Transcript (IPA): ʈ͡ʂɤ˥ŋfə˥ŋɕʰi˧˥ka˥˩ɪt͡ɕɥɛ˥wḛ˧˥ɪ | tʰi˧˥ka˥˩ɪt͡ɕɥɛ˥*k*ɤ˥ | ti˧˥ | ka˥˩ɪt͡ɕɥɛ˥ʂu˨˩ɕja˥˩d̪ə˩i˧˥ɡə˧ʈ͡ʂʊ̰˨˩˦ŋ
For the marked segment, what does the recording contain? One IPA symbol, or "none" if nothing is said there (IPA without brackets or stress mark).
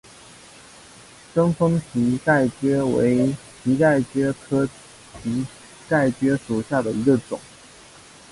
kʰ